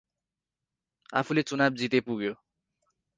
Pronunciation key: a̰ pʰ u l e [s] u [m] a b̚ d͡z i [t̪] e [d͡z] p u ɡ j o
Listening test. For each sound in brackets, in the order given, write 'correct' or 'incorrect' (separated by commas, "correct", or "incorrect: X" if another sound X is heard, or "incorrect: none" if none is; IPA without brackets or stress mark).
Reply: incorrect: t͡s, incorrect: n, correct, incorrect: none